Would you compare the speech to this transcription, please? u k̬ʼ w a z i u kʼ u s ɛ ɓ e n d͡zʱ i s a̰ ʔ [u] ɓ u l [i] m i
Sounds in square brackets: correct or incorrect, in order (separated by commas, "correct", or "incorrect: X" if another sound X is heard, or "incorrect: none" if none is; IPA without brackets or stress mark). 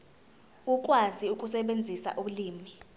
correct, incorrect: iː